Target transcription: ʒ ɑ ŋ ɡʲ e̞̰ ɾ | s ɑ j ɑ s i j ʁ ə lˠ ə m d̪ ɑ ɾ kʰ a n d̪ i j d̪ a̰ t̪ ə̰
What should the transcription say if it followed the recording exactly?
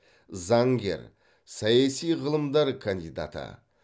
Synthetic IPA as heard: z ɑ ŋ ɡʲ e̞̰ ɾ | s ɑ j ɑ s i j ʁ ə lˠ ə m d̪ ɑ ɾ kʰ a n d̪ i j d̪ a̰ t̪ ə̰